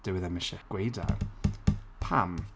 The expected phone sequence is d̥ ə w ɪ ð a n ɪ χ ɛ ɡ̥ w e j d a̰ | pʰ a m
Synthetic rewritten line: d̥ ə w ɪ ð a m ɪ ʃ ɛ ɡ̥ w e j d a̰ | pʰ a m